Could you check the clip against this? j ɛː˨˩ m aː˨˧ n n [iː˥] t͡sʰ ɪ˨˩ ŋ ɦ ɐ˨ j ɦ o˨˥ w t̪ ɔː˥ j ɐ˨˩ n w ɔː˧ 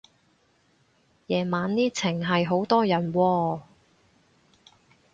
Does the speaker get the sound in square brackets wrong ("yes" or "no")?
no